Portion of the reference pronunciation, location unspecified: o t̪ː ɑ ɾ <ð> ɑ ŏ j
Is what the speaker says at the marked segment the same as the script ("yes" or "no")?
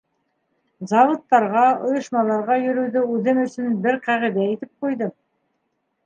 no